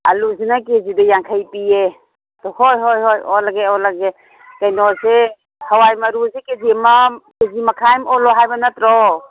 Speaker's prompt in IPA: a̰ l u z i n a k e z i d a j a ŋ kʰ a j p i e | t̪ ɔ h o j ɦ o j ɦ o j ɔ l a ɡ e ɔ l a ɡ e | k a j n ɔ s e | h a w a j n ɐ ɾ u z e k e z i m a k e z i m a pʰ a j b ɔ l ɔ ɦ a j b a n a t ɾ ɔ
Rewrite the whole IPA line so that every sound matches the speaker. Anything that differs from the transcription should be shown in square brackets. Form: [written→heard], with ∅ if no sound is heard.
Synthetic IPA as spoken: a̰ l u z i n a k e z i d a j a ŋ kʰ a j p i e | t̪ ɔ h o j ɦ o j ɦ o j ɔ l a ɡ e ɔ l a ɡ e | k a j n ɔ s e | h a w a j [n→m] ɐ ɾ u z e k e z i m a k e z i m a [pʰ→kʰ] a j [b→m] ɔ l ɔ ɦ a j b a n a t ɾ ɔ